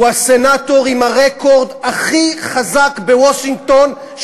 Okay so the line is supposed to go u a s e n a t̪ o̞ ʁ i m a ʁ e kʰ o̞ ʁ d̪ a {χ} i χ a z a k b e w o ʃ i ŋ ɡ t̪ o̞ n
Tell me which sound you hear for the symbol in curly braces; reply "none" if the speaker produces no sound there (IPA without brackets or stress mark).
χ